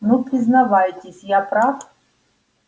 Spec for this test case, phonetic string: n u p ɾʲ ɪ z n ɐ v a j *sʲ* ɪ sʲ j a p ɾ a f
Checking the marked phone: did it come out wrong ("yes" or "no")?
yes